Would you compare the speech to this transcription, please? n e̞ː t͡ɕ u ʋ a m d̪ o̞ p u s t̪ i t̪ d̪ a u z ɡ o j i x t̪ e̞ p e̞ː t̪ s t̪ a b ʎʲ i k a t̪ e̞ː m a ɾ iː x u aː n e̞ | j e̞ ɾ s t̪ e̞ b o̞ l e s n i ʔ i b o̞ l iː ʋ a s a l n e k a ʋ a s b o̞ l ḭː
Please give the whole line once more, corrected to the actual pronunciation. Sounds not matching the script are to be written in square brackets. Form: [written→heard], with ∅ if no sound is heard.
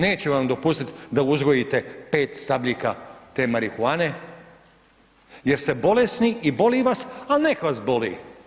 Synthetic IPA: n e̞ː t͡ɕ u ʋ a m d̪ o̞ p u s t̪ i t̪ d̪ a u z ɡ o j i [x→∅] t̪ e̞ p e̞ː t̪ s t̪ a b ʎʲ i k a t̪ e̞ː m a ɾ [iː→i] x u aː n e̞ | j e̞ ɾ s t̪ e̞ b o̞ l e s n i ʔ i b o̞ l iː ʋ a s a l n e k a ʋ a s b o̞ l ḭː